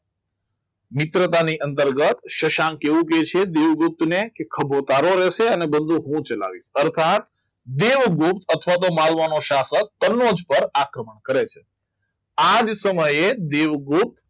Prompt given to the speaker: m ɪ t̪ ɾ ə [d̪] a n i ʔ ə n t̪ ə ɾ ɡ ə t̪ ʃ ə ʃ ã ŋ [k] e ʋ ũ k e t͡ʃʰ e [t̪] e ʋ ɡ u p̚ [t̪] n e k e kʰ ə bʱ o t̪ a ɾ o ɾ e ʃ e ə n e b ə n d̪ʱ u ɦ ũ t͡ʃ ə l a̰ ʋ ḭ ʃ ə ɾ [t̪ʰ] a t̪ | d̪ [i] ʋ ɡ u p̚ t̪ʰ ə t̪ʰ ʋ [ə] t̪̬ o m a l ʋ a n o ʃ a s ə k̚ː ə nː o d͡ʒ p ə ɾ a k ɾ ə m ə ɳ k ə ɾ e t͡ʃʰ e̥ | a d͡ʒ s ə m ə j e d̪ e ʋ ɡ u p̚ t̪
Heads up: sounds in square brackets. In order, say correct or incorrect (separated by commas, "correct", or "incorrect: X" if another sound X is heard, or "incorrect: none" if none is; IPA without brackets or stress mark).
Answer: incorrect: t̪, correct, incorrect: d̪, correct, correct, incorrect: e, incorrect: a